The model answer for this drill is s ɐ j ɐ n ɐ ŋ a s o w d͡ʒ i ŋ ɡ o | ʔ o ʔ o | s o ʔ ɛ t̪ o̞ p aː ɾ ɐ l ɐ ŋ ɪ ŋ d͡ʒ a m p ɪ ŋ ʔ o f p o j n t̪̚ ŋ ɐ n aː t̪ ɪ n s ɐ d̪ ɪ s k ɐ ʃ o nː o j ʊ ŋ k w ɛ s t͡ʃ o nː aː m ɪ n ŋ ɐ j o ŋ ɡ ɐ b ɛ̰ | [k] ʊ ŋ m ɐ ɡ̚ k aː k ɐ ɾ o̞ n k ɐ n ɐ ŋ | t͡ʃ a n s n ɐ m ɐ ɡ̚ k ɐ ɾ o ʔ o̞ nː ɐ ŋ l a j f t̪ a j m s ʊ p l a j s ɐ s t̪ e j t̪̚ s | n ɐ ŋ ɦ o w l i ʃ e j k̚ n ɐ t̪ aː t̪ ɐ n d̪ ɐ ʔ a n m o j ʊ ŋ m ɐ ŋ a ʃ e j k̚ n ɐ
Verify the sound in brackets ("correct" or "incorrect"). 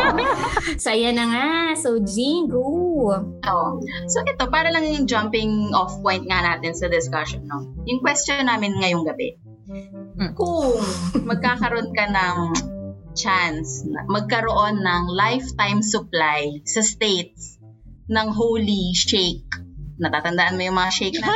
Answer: correct